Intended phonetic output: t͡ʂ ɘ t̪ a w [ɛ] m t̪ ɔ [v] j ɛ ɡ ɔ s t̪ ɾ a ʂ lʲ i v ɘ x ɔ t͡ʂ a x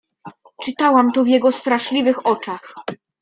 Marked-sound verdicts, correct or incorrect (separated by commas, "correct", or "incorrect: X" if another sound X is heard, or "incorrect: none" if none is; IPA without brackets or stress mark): incorrect: a, correct